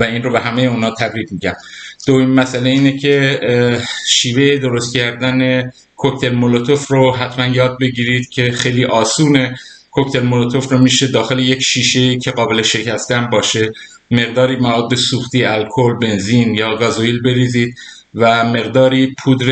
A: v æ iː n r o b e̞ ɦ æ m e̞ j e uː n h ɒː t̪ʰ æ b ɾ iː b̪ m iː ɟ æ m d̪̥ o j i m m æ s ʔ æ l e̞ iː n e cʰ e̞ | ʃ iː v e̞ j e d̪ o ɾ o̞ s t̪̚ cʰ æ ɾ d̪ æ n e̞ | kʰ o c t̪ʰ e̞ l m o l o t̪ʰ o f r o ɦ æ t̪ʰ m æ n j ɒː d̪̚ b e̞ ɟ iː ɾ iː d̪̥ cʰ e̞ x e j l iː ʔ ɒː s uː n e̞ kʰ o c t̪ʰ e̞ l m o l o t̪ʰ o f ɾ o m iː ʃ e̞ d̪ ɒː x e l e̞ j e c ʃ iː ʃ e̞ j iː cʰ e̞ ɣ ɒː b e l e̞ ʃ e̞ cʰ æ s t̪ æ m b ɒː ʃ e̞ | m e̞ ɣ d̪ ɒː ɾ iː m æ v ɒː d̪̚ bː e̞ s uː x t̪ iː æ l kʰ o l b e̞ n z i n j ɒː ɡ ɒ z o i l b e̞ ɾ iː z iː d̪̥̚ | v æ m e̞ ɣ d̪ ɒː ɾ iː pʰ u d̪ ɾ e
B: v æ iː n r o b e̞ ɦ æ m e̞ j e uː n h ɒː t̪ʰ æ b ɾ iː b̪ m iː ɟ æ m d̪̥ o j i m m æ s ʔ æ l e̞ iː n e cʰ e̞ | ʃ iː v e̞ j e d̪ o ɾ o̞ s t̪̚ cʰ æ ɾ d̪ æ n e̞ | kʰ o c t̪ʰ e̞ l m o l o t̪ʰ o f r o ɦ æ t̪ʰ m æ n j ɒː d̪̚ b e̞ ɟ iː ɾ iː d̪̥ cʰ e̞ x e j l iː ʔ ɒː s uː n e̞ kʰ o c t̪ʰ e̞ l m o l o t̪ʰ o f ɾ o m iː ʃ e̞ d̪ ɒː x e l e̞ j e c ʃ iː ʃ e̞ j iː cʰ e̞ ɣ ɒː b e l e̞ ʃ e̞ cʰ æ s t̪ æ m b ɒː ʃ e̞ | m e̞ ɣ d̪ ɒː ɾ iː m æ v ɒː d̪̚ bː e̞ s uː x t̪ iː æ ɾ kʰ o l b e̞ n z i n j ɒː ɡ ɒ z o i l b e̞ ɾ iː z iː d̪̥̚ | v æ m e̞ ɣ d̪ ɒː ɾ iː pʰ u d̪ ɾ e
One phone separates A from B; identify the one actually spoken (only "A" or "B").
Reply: A